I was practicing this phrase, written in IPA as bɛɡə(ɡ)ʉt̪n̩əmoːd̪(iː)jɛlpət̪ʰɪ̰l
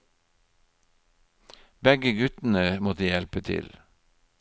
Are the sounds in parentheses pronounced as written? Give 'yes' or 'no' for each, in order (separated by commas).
yes, yes